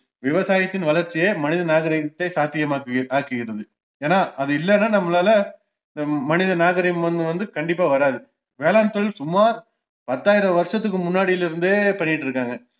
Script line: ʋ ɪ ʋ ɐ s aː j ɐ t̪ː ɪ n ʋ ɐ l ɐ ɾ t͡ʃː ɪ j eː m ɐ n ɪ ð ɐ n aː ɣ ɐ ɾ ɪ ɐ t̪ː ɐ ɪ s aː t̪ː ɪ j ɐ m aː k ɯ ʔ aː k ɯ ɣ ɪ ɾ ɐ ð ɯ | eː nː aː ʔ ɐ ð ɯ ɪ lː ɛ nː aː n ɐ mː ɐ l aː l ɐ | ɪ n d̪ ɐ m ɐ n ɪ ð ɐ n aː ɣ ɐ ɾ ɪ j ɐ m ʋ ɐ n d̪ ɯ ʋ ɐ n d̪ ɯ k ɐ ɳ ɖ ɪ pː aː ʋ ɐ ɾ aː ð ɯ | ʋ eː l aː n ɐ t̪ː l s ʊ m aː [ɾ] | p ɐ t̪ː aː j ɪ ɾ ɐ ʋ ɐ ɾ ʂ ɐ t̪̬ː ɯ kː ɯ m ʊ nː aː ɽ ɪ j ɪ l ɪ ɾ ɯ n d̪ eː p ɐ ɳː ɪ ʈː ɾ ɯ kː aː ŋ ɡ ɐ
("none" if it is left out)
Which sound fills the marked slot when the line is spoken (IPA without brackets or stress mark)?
ɾ